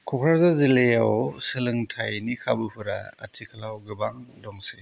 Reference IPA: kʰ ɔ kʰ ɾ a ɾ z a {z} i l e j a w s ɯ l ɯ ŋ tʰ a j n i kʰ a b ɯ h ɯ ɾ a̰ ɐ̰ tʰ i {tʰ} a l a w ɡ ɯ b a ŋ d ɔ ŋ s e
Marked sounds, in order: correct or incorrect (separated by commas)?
correct, incorrect